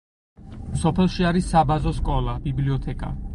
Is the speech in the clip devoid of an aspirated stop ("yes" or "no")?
no